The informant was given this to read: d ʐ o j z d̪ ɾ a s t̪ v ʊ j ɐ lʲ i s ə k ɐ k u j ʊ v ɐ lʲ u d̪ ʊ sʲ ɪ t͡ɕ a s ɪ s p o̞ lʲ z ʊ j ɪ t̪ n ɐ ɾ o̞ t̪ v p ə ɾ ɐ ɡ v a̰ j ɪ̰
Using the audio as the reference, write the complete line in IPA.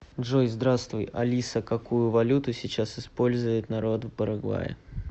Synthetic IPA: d ʐ o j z d̪ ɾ a s t̪ v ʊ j ɐ lʲ i s ə k ɐ k u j ʊ v ɐ lʲ u t̪ ʊ sʲ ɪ t͡ɕ a s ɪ s p o̞ lʲ z ʊ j ɪ t̪ n ɐ ɾ o̞ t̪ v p ə ɾ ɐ ɡ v a̰ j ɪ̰